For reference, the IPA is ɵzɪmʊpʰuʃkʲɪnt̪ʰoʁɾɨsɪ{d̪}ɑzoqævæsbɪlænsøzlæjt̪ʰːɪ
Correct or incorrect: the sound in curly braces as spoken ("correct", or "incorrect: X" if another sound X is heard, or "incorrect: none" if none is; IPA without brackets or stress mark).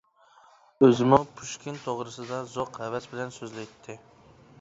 correct